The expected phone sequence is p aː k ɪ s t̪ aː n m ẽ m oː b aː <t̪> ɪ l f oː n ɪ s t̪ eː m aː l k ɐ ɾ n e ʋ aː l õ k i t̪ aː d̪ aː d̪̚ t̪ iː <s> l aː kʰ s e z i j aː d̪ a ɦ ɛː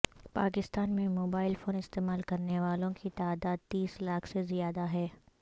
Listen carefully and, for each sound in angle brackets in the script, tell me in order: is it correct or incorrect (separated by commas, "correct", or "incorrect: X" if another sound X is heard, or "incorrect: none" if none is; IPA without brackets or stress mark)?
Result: incorrect: none, correct